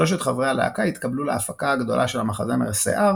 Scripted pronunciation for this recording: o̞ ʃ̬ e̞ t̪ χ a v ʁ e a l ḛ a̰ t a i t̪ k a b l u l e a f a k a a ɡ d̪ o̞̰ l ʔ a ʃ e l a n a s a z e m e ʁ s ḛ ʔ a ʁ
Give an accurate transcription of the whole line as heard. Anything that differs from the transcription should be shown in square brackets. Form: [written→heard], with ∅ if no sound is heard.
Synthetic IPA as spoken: o̞ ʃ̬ e̞ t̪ χ a v ʁ e a l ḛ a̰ [t→k] a i t̪ k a b l u l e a f a k a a ɡ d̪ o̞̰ l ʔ a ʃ e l a [n→m] a [s→χ] a z e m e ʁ s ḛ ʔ a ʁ